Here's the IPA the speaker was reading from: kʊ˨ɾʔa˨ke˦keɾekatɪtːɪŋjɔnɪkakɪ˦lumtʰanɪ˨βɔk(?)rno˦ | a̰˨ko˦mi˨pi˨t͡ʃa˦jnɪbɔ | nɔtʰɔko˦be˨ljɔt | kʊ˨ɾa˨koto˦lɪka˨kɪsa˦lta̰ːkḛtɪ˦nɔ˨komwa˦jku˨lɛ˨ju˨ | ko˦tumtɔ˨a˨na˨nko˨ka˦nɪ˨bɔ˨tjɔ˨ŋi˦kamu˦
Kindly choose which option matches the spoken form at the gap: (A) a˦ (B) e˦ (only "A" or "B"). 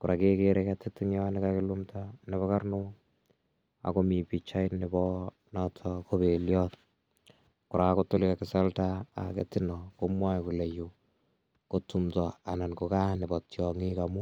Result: A